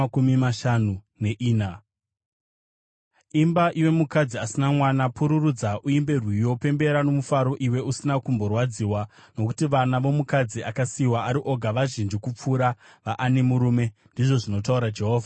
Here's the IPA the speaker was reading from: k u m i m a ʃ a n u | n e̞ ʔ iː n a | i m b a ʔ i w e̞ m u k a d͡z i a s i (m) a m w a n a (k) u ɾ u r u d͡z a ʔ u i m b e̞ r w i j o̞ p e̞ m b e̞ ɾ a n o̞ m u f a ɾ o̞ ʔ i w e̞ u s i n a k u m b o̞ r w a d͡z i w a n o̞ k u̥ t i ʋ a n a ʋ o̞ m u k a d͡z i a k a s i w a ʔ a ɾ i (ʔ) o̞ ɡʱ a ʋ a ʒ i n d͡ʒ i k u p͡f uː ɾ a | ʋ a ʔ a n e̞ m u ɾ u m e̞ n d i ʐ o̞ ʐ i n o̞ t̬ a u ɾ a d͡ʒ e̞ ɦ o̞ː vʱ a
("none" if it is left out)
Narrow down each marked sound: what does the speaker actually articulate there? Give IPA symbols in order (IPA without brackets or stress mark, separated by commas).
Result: n, p, ʔ